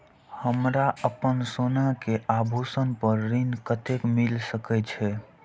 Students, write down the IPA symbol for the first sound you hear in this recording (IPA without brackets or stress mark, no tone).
h